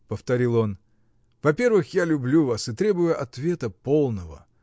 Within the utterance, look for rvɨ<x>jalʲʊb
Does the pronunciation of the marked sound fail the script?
no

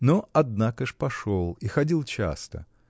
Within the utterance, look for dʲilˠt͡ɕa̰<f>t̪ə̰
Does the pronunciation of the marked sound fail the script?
yes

